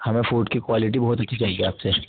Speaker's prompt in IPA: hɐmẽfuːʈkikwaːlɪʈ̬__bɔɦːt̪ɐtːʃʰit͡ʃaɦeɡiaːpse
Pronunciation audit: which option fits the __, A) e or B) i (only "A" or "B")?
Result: B